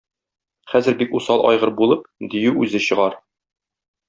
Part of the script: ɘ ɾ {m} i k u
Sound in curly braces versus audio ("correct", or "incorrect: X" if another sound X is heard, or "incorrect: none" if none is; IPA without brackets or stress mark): incorrect: b